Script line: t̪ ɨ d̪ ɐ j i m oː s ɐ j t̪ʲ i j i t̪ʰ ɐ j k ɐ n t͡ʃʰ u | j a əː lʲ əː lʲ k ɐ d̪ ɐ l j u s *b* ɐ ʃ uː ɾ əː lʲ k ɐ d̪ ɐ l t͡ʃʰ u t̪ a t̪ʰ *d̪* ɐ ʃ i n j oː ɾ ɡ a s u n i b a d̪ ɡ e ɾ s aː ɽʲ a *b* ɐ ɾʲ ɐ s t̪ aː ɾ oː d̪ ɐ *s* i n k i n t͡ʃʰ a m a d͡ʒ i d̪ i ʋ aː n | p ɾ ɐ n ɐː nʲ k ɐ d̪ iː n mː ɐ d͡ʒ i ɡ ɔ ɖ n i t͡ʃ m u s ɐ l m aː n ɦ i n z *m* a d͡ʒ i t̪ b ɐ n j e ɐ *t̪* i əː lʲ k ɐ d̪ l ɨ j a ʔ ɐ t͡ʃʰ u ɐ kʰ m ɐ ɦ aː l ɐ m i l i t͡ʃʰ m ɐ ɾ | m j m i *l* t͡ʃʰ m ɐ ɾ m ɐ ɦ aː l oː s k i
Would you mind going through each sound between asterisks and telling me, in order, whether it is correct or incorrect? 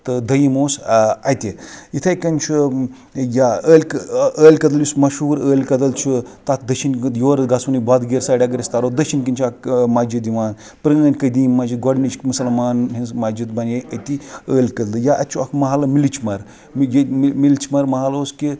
incorrect, correct, incorrect, incorrect, correct, correct, correct

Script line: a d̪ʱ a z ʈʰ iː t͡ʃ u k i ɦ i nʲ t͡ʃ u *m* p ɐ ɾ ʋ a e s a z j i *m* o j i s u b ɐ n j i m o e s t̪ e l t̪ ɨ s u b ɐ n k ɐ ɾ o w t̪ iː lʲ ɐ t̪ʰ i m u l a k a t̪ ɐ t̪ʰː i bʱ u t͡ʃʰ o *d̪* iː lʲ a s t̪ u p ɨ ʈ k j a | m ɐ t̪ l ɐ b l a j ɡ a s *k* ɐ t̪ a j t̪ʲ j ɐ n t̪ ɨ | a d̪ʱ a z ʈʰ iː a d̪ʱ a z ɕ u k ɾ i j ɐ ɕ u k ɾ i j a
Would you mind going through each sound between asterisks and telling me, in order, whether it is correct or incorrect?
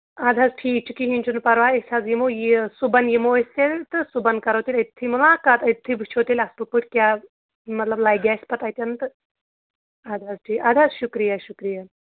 incorrect, correct, incorrect, incorrect

